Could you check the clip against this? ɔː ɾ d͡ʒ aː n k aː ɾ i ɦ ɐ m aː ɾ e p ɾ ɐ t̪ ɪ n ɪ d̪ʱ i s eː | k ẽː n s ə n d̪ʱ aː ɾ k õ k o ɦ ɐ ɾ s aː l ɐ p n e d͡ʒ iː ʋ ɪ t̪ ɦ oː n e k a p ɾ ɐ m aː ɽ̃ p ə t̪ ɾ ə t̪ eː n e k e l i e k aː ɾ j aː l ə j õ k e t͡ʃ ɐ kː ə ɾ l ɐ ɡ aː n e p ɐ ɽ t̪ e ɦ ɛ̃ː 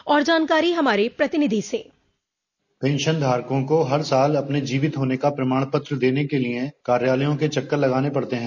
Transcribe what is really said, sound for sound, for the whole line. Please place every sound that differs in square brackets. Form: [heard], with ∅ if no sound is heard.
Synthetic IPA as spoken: ɔː ɾ d͡ʒ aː n k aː ɾ i ɦ ɐ m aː ɾ e p ɾ ɐ t̪ ɪ n ɪ d̪ʱ i s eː | [p] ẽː n [ʃ] ə n d̪ʱ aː ɾ k õ k o ɦ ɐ ɾ s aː l ɐ p n e d͡ʒ iː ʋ ɪ t̪ ɦ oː n e k a p ɾ ɐ m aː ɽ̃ p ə t̪ ɾ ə [d̪] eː n e k e l i e k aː ɾ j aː l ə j õ k e t͡ʃ ɐ kː ə ɾ l ɐ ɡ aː n e p ɐ ɽ t̪ e ɦ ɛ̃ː